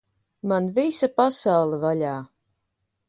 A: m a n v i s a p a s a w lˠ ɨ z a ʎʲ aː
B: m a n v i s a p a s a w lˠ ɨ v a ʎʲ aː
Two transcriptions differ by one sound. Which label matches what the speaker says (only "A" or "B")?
B